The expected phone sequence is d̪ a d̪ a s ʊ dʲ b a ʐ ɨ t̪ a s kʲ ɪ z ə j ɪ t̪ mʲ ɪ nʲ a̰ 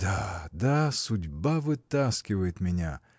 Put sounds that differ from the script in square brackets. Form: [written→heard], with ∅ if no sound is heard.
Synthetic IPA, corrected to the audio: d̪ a d̪ a s ʊ dʲ b a [ʐ→v] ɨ t̪ a s kʲ ɪ [z→v] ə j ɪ t̪ mʲ ɪ nʲ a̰

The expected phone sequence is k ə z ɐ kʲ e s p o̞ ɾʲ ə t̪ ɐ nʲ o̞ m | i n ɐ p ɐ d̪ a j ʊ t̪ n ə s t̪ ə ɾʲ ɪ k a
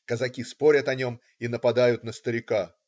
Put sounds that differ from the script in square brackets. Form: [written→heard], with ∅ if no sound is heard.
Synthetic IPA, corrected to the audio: k ə z ɐ kʲ [e→i] s p o̞ ɾʲ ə t̪ ɐ nʲ o̞ m | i n [ɐ→ə] p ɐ d̪ a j ʊ t̪ n ə s t̪ ə ɾʲ ɪ k a

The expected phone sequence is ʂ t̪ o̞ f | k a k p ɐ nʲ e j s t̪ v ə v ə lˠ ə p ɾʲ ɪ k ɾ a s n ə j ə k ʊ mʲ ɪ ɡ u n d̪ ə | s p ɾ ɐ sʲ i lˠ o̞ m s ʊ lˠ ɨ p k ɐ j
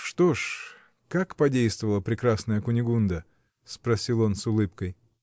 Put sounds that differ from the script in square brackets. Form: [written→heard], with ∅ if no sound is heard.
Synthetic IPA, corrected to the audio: ʂ t̪ o̞ [f→ʂ] | k a k p ɐ [nʲ→dʲ] e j s t̪ v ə v ə lˠ ə p ɾʲ ɪ k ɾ a s n ə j ə k ʊ [mʲ→nʲ] ɪ ɡ u n d̪ ə | s p ɾ ɐ sʲ i lˠ o̞ [m→n] s ʊ lˠ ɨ p k [ɐ→ə] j

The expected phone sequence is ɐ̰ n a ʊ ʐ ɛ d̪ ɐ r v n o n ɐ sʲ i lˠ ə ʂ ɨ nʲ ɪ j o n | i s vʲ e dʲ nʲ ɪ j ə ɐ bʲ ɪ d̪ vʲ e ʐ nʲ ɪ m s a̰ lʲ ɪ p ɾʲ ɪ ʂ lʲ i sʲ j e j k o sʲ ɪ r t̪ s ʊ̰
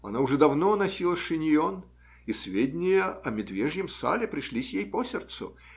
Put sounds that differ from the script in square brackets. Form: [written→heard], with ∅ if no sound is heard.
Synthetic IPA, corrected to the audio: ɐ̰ n a ʊ ʐ ɛ d̪ ɐ [r→∅] v n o n ɐ sʲ i lˠ ə ʂ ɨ nʲ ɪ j o n | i s vʲ e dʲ nʲ ɪ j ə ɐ [bʲ→mʲ] ɪ d̪ vʲ e ʐ nʲ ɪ m s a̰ lʲ ɪ p ɾʲ ɪ ʂ lʲ i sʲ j e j [k→p] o sʲ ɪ r t̪ s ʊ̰

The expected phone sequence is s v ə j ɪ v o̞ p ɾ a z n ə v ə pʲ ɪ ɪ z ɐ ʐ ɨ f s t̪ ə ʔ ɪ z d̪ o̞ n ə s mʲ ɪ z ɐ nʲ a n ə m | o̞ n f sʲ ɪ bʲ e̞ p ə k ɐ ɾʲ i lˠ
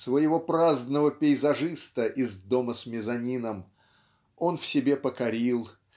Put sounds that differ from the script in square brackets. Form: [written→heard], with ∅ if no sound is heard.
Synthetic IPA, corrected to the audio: s v ə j ɪ v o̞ p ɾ a z n ə v ə pʲ ɪ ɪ z ɐ ʐ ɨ [f→∅] s t̪ ə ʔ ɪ z d̪ o̞ [n→m] ə s mʲ ɪ z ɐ nʲ [a→i] n ə m | o̞ n f sʲ ɪ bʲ e̞ p ə k ɐ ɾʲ i lˠ

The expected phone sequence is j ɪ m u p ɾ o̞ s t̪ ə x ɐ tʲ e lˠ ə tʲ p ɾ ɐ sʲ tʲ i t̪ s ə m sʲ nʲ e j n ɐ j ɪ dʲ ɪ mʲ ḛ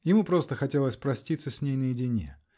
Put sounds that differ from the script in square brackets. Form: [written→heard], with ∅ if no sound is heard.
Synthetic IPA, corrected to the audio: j ɪ m u p ɾ o̞ s t̪ ə x ɐ tʲ e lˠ ə [tʲ→sʲ] p ɾ ɐ sʲ tʲ i t̪ s ə [m→∅] sʲ nʲ e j n [ɐ→ə] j ɪ dʲ ɪ [mʲ→nʲ] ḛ

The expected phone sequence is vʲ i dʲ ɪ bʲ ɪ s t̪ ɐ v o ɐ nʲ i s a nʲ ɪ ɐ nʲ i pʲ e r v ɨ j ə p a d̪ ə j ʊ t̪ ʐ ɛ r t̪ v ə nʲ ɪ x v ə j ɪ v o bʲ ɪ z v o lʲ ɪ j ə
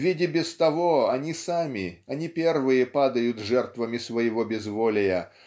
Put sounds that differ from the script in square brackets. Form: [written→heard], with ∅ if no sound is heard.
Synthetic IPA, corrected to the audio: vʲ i dʲ ɪ bʲ ɪ s t̪ ɐ v o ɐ nʲ i s a [nʲ→mʲ] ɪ ɐ nʲ i pʲ e r v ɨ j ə p a d̪ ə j ʊ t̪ ʐ ɛ r t̪ v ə [nʲ→mʲ] ɪ [x→s] v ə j ɪ v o bʲ ɪ z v o lʲ ɪ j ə

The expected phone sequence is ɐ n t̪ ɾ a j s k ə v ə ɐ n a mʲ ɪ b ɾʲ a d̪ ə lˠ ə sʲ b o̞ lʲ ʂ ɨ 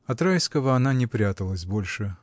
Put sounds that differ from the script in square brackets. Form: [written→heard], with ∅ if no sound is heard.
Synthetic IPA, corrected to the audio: ɐ [n→∅] t̪ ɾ a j s k ə v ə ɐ n a [mʲ→nʲ] ɪ [b→p] ɾʲ a [d̪→t̪] ə lˠ ə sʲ b o̞ lʲ ʂ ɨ

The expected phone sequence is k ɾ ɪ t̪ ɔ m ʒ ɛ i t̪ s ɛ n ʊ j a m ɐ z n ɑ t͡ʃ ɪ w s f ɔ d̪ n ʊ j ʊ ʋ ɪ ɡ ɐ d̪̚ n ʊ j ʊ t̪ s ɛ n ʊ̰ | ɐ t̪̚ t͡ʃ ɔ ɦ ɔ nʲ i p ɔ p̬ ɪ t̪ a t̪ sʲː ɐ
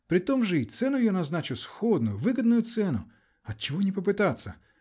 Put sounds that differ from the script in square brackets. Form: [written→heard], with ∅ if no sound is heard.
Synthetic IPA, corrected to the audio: [k→p] ɾ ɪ t̪ ɔ m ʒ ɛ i t̪ s ɛ n ʊ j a [m→n] ɐ z n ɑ t͡ʃ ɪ w s [f→x] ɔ d̪ n ʊ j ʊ ʋ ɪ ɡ ɐ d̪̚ n ʊ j ʊ t̪ s ɛ n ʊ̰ | ɐ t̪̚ t͡ʃ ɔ ɦ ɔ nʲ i p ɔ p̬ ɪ t̪ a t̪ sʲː ɐ

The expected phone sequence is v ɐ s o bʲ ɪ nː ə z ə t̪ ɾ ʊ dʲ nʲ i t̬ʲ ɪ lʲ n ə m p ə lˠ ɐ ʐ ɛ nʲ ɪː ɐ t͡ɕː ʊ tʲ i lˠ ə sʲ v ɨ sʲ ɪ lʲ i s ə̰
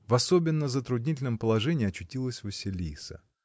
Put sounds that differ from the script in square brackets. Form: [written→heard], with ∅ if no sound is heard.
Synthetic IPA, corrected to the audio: v ɐ s o bʲ ɪ nː ə z ə t̪ ɾ ʊ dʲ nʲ i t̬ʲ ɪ lʲ n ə m p ə lˠ ɐ ʐ ɛ nʲ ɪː ɐ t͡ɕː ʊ tʲ i lˠ ə sʲ v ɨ sʲ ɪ lʲ i s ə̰

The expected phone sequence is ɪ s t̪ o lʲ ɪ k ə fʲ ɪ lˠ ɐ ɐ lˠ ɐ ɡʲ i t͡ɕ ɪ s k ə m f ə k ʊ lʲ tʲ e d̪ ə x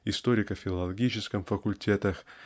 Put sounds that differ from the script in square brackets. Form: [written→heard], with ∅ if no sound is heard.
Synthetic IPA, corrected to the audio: ɪ s t̪ o [lʲ→ɾʲ] ɪ k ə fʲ ɪ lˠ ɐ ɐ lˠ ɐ ɡʲ i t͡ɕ ɪ s k ə m f ə k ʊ lʲ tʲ e [d̪→t̪] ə x

